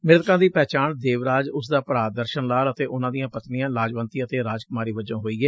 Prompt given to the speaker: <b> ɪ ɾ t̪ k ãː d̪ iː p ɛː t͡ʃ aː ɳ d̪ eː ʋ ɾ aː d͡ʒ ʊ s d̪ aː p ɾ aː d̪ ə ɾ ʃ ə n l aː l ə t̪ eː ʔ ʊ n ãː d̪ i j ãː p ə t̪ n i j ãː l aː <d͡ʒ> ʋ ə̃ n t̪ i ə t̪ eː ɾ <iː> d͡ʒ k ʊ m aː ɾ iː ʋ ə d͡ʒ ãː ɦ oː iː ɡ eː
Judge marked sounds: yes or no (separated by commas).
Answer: no, yes, no